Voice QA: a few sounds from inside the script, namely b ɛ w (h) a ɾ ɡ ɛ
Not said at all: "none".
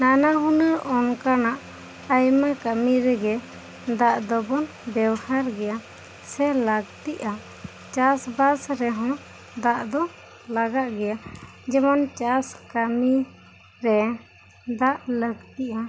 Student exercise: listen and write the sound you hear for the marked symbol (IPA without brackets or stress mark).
h